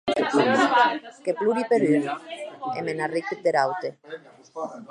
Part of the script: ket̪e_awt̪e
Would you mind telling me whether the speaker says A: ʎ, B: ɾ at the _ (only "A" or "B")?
B